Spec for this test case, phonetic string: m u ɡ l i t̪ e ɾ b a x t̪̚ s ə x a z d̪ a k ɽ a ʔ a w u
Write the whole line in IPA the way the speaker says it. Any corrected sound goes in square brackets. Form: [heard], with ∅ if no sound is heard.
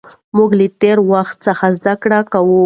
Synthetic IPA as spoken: m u ɡ l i t̪ e ɾ [w] a x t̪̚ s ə x a z d̪ a k ɽ a [k] a w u

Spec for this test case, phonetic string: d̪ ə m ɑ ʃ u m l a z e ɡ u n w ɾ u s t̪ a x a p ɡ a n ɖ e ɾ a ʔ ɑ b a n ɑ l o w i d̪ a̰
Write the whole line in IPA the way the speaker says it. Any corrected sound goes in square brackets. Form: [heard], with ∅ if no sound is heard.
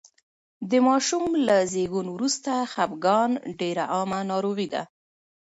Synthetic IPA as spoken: d̪ ə m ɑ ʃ u m l a z e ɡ u n w ɾ u s t̪ a x a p ɡ [ɑ] n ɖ e ɾ a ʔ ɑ [m] a n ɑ [ɾ] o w i d̪ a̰

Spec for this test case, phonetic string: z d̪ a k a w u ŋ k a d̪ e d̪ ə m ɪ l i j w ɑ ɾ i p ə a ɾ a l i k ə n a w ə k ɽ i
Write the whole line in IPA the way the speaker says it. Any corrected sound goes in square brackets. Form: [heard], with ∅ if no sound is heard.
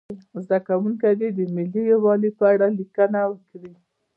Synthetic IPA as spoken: z d̪ a k a w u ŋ k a d̪ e d̪ ə m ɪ l i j w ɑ [l] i p ə a [ɽ] a l i k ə n a w ə k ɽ i

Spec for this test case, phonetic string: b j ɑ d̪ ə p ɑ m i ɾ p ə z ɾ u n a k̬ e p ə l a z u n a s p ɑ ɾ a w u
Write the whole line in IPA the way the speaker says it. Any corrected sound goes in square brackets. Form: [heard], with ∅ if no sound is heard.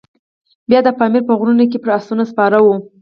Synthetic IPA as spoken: b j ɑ d̪ ə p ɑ m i ɾ p ə [ɣ] ɾ u n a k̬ e p ə [ɾ] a [s] u n a s p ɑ ɾ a w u

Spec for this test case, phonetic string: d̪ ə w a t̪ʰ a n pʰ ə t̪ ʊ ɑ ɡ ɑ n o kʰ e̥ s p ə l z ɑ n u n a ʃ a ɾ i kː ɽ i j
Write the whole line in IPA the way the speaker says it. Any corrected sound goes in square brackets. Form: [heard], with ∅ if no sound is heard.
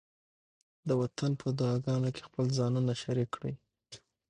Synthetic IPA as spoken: d̪ ə w a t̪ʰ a n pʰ ə [d̪] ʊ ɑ ɡ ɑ n o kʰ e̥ [x] p ə l z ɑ n u n a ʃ a ɾ i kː ɽ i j

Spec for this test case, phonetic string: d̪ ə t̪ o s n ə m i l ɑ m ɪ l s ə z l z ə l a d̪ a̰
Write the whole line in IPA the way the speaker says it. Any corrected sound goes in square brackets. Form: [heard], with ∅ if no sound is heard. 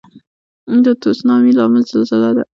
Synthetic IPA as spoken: d̪ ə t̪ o s n [ɑ] m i l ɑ m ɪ l [z] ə [∅] l z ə l a d̪ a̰

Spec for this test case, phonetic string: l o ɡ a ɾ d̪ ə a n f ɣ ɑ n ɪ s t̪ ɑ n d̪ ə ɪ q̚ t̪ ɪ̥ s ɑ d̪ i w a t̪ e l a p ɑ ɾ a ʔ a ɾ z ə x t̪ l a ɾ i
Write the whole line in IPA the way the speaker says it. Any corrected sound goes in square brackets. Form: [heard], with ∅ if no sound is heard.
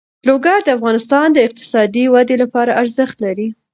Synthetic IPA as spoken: l o ɡ a ɾ d̪ ə a [∅] f ɣ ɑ n ɪ s t̪ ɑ n d̪ ə ɪ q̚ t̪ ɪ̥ s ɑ d̪ i w a [d̪] e l a p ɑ ɾ a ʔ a ɾ z ə x t̪ l a ɾ i

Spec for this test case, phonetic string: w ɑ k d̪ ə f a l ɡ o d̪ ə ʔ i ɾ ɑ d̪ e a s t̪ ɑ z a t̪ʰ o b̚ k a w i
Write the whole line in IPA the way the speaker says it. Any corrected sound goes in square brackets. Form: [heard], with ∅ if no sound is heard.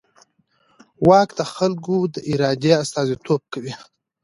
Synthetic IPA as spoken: w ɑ k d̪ ə [x] a l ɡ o d̪ ə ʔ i ɾ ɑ d̪ e a s t̪ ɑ z [i] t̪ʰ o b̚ k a w i

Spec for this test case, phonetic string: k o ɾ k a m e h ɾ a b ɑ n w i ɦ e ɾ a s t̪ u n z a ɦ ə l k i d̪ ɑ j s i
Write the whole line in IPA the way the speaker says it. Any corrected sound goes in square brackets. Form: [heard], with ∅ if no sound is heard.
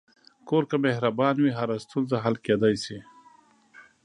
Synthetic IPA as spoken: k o ɾ k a m e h ɾ a b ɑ n w i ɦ [a] ɾ a s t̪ u n z a ɦ [a] l k [e] d̪ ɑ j s i

